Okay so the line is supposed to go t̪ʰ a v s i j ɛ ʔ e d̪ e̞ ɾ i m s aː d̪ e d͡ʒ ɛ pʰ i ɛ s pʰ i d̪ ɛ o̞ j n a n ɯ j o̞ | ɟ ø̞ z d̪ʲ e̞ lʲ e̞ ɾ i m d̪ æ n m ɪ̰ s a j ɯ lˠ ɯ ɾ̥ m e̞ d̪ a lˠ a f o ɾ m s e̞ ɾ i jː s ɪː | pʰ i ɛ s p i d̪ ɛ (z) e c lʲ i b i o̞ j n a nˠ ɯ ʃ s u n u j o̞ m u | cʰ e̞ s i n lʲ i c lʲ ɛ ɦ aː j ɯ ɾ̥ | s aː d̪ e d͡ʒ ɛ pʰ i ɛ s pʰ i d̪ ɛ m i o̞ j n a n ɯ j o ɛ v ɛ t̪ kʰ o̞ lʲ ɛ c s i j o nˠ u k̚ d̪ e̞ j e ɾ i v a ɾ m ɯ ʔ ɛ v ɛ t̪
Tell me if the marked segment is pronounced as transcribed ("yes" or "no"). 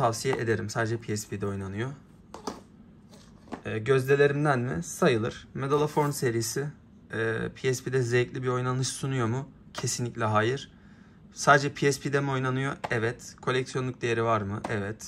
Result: yes